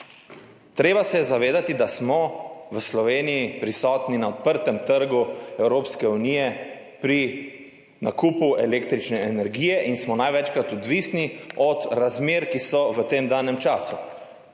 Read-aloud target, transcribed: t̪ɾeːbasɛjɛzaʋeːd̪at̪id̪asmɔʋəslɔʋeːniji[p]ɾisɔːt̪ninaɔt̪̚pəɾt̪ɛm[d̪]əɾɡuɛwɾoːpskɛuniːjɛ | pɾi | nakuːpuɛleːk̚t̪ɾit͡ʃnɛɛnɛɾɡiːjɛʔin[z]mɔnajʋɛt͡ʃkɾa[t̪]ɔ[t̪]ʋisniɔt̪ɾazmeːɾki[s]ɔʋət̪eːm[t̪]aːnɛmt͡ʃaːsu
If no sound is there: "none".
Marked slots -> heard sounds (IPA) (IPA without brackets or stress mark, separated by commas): p, t̪, s, t̪, d̪, s, d̪